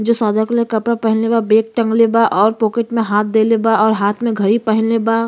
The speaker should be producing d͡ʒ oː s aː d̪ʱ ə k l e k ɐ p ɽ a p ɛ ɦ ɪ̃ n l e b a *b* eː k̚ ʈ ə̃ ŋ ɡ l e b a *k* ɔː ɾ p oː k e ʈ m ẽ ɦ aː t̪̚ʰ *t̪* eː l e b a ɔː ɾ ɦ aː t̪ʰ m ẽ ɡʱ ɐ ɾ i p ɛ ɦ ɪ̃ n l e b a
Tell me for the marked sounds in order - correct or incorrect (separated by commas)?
correct, incorrect, incorrect